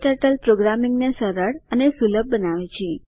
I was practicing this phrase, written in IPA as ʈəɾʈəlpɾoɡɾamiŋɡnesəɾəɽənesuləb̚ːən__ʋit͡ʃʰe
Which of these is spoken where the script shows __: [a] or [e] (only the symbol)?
a